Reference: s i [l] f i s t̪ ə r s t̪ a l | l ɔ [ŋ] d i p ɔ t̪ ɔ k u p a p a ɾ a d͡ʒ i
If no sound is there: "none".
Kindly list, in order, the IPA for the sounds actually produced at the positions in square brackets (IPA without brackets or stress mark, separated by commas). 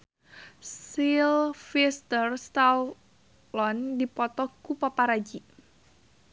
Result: l, n